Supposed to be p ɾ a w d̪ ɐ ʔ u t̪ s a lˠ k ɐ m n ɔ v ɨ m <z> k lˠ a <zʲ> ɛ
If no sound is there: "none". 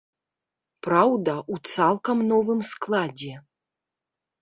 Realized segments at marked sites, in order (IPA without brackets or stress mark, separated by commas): s, d͡zʲ